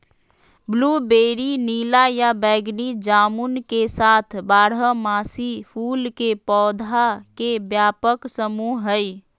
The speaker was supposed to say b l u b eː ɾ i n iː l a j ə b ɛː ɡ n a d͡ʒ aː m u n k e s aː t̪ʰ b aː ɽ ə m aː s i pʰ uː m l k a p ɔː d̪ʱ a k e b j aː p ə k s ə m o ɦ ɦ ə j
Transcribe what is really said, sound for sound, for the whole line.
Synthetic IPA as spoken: b l u b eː ɾ i n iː l a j a b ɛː ɡ n i d͡ʒ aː m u n k e s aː t̪ʰ b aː ɽ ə m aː s i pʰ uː l k e p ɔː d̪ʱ a k e b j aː p ə k s ə m u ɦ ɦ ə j